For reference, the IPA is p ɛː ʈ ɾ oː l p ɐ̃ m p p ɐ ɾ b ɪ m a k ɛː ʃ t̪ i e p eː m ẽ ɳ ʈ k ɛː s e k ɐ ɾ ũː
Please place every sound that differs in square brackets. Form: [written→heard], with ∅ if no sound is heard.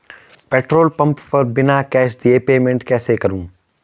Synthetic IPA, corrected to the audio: p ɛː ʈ ɾ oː l p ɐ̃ m p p ɐ ɾ b ɪ [m→n] a k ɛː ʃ [t̪→d̪] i e p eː m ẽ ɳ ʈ k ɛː s e k ɐ ɾ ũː